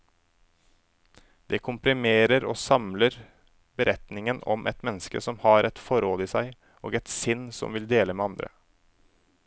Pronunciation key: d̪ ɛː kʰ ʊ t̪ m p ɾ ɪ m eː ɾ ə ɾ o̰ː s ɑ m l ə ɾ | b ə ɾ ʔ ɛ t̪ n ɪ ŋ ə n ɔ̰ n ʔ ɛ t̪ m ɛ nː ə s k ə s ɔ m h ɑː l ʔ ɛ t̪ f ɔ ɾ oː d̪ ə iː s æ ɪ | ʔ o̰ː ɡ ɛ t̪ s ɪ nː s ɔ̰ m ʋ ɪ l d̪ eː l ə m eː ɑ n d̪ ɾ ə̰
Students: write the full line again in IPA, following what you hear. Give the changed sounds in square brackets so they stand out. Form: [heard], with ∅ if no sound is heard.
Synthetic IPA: d̪ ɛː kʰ ʊ [∅] m p ɾ ɪ m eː ɾ ə ɾ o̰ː s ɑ m l ə ɾ | b ə ɾ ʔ ɛ t̪ n ɪ ŋ ə n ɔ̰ [m] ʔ ɛ t̪ m ɛ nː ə s k ə s ɔ m h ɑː [ɾ] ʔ ɛ t̪ f ɔ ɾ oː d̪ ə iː s æ ɪ | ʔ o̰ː ɡ ɛ t̪ s ɪ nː s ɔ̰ m ʋ ɪ l d̪ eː l ə m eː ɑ n d̪ ɾ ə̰